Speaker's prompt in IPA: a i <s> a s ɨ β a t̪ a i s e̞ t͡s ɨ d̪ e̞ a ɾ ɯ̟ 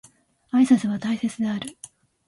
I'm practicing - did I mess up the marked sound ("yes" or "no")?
no